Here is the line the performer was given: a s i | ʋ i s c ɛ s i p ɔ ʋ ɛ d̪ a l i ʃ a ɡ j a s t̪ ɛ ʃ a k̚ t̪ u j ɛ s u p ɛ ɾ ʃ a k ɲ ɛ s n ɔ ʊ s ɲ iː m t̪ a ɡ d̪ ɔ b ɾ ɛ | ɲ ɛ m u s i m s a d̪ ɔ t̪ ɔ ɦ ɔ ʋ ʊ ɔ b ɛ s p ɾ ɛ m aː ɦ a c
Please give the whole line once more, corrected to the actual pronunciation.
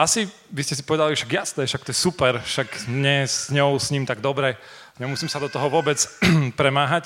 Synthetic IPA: a s i | ʋ i s c ɛ s i p ɔ ʋ ɛ d̪ a l i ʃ a ɡ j a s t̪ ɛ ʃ a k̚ t̪ ɔ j ɛ s u p ɛ ɾ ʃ a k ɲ ɛ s ɲ ɔ ʊ s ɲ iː m t̪ a ɡ d̪ ɔ b ɾ ɛ | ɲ ɛ m u s i m s a d̪ ɔ t̪ ɔ ɦ ɔ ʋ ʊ ɔ b ɛ t͡s p ɾ ɛ m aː ɦ a c